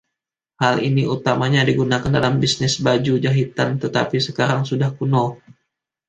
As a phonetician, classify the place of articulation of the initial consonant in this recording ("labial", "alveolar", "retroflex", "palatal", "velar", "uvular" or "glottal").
glottal